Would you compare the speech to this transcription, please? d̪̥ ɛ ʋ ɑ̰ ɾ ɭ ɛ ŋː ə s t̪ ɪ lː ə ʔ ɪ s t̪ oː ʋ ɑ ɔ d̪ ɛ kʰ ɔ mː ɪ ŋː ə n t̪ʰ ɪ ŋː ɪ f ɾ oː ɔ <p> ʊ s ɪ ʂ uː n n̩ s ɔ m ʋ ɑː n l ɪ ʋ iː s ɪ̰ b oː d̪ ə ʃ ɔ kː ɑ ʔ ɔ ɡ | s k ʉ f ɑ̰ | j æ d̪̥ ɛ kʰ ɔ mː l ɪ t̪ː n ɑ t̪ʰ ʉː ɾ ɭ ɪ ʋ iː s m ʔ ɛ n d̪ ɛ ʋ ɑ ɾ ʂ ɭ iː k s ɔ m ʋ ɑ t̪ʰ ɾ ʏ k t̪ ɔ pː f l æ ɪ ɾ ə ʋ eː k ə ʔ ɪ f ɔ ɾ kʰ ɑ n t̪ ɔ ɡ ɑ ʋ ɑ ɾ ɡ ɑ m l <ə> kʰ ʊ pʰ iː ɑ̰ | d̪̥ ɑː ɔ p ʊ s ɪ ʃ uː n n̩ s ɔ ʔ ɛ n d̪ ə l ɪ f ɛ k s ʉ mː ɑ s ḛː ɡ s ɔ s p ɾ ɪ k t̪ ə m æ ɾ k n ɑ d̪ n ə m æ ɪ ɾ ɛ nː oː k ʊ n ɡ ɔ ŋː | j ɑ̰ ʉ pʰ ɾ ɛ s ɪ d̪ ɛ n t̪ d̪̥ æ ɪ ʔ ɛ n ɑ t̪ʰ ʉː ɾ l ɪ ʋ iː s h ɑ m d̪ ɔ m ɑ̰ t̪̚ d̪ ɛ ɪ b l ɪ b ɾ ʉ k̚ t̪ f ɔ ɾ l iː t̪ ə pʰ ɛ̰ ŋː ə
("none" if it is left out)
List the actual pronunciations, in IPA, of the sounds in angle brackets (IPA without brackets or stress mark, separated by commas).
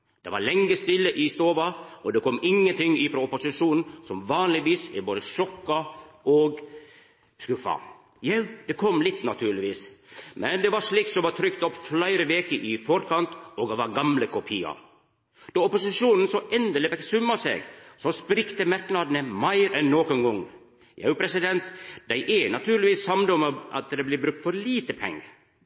p, ə